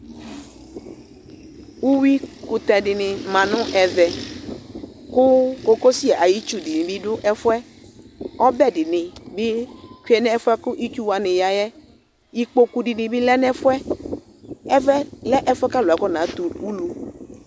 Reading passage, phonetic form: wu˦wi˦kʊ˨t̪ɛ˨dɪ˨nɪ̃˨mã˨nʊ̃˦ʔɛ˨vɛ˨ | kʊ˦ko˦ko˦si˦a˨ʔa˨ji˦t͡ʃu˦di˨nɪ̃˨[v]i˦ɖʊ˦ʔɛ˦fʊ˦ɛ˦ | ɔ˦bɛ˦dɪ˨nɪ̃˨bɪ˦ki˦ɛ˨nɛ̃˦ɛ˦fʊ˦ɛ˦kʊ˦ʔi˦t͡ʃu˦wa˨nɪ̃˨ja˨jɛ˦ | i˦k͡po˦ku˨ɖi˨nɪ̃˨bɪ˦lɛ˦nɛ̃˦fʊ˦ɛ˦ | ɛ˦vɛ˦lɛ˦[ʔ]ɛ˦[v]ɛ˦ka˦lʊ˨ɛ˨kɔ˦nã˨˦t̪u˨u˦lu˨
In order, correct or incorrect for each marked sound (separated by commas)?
incorrect, correct, incorrect